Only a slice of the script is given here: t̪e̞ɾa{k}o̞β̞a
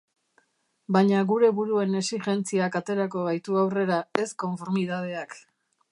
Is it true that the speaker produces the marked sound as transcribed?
yes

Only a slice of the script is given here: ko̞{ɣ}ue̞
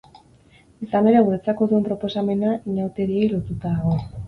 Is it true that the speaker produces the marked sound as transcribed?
no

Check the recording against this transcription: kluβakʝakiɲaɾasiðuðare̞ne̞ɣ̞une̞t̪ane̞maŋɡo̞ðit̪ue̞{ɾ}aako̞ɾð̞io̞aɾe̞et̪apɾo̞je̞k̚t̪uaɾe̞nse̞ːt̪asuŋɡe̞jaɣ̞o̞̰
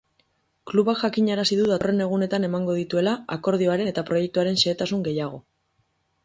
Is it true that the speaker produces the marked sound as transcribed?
no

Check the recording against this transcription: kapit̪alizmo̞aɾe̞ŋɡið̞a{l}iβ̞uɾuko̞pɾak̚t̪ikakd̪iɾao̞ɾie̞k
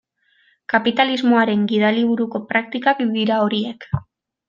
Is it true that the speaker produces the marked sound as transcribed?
yes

